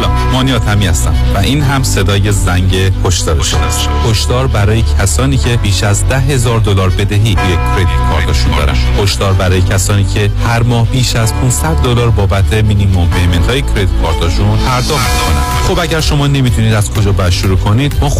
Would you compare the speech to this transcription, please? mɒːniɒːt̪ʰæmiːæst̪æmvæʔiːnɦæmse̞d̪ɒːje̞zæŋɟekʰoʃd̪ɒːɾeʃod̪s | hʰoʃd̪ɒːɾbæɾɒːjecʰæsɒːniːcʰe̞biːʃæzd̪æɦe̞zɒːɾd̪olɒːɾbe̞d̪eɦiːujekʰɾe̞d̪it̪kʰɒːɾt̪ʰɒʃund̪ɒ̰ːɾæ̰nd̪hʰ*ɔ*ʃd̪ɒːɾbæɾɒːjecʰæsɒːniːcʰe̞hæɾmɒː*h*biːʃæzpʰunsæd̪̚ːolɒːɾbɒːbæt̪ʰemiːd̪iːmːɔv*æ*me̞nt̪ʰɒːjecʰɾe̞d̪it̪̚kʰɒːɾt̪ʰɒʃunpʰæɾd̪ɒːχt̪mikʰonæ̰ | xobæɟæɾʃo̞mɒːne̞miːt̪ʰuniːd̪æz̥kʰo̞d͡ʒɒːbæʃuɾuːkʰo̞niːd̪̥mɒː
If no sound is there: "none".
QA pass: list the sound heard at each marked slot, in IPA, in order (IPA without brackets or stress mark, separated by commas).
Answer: o, h, e